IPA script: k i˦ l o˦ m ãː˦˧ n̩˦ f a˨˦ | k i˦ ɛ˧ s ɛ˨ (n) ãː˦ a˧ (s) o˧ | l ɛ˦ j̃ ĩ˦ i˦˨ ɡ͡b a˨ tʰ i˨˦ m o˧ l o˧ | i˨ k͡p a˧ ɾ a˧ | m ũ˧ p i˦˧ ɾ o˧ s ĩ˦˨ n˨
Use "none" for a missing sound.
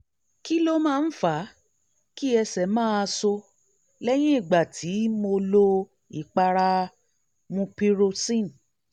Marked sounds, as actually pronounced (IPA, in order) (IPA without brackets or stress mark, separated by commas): m, s